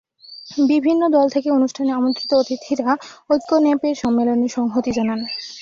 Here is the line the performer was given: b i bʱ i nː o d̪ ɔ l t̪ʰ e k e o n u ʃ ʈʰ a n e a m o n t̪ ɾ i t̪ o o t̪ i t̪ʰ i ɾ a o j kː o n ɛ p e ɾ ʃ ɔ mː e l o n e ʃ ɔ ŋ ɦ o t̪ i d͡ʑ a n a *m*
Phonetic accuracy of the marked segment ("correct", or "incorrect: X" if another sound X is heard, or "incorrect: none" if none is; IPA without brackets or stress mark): incorrect: n